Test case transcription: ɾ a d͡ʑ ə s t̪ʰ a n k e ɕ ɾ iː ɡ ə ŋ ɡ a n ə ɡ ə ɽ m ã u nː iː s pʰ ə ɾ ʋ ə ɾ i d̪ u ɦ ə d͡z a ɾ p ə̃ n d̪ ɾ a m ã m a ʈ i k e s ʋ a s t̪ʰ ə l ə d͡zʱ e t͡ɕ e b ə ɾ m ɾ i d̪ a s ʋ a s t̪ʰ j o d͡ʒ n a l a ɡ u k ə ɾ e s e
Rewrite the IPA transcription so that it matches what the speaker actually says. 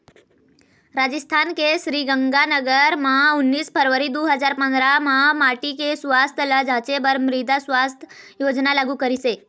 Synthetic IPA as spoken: ɾ a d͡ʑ ə s t̪ʰ a n k e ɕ ɾ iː ɡ ə ŋ ɡ a n ə ɡ ə ɾ m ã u nː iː s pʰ ə ɾ ʋ ə ɾ i d̪ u ɦ ə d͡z a ɾ p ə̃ n d̪ ɾ a m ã m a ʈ i k e s ʋ a s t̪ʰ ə l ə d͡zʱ a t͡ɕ e b ə ɾ m ɾ i d̪ a s ʋ a s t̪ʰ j o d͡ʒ n a l a ɡ u k ə ɾ i s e